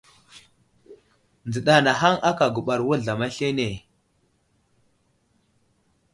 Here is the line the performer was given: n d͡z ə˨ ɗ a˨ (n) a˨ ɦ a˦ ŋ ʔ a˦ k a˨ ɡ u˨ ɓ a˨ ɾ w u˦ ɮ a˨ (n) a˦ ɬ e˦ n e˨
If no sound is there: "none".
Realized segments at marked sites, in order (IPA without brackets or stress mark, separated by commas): n, m